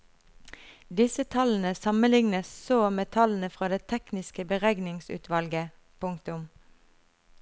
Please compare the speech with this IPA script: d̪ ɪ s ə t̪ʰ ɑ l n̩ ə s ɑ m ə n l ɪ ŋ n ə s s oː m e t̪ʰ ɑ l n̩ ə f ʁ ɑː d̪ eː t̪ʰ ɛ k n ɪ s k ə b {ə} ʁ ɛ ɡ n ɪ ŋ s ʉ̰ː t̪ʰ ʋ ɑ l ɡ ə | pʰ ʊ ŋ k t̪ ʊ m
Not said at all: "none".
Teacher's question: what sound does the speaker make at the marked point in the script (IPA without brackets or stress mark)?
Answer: ə